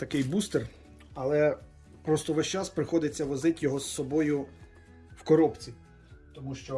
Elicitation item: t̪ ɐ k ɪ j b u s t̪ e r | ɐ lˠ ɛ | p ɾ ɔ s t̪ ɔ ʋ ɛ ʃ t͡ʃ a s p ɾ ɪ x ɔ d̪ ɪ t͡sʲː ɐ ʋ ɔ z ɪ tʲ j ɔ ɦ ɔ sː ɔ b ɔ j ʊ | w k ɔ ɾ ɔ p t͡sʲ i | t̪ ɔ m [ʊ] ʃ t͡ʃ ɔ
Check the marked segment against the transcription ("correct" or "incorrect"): incorrect